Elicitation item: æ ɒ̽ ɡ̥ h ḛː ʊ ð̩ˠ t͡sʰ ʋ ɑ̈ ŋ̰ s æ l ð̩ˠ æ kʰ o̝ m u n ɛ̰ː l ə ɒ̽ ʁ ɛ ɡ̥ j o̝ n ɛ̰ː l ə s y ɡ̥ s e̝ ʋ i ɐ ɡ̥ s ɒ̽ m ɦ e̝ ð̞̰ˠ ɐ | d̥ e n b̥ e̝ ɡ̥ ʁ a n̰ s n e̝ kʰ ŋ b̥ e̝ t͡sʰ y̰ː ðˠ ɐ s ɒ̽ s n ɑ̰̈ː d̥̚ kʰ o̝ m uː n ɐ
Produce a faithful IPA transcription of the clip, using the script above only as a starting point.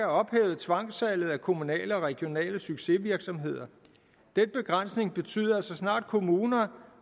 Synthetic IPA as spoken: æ ɒ̽ b̥ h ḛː ʊ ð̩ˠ t͡sʰ ʋ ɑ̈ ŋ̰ s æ l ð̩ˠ æ kʰ o̝ m u n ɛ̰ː l ə ɒ̽ ʁ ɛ ɡ̥ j o̝ n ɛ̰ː l ə s y ɡ̥ s e̝ ʋ i ɐ ɡ̥ s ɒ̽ m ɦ e̝ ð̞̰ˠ ɐ | d̥ e n b̥ e̝ ɡ̥ ʁ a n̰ s n e̝ ŋ b̥ e̝ t͡sʰ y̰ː ðˠ ɐ s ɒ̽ s n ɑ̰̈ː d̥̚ kʰ o̝ m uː n ɐ